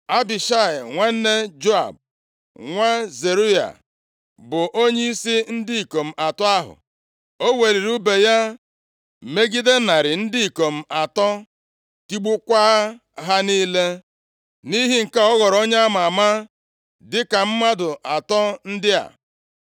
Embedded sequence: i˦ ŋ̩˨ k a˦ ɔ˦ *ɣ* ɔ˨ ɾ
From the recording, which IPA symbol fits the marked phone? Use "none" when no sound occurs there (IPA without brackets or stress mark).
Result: ɣ